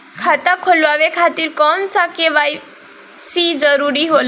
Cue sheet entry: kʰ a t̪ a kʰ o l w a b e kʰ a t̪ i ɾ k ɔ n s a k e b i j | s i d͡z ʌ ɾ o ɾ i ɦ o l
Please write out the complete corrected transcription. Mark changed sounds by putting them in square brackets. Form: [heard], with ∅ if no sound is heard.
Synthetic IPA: kʰ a t̪ a kʰ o l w a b e kʰ a t̪ i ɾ k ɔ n s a k e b [a] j | s i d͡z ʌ ɾ [u] ɾ i ɦ o l